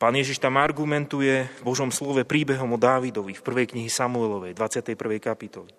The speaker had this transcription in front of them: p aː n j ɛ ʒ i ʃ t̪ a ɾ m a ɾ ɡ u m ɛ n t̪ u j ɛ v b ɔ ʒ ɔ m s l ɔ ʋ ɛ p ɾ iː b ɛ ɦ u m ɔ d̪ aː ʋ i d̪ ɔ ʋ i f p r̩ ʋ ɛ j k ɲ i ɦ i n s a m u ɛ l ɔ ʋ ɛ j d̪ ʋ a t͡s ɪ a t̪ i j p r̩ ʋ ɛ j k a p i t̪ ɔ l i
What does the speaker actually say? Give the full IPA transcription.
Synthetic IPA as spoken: p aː n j ɛ ʒ i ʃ t̪ a m a ɾ ɡ u m ɛ n t̪ u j ɛ v b ɔ ʒ ɔ m s l ɔ ʋ ɛ p ɾ iː b ɛ ɦ ɔ m ɔ d̪ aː ʋ i d̪ ɔ ʋ i f p r̩ ʋ ɛ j k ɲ i ɦ i s a m u ɛ l ɔ ʋ ɛ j d̪ ʋ a t͡s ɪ a t̪ ɛ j p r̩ ʋ ɛ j k a p i t̪ ɔ l i